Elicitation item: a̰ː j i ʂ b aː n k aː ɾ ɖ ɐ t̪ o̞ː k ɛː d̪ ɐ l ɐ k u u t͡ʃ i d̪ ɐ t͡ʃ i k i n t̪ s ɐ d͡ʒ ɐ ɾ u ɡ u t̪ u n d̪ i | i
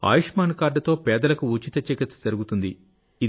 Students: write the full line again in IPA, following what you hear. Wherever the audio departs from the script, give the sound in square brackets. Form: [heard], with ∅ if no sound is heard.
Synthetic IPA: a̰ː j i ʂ [m] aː n k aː ɾ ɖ ɐ t̪ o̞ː [p] ɛː d̪ ɐ l ɐ k u u t͡ʃ i [t̪] ɐ t͡ʃ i k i [∅] t̪ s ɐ d͡ʒ ɐ ɾ u ɡ u t̪ u n d̪ i | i